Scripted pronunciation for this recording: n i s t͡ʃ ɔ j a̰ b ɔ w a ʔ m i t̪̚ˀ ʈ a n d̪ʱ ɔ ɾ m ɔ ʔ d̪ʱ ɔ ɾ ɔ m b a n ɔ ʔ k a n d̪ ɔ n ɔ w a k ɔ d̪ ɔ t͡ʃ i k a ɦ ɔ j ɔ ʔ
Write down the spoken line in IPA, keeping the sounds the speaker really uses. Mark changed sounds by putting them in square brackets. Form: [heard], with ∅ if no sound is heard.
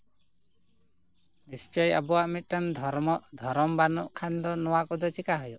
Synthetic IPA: n i s t͡ʃ ɔ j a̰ b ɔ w a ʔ m i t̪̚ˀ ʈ a n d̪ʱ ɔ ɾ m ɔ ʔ d̪ʱ ɔ ɾ ɔ m b a n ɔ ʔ [kʰ] a n d̪ ɔ n ɔ w a k ɔ d̪ ɔ t͡ʃ i k a ɦ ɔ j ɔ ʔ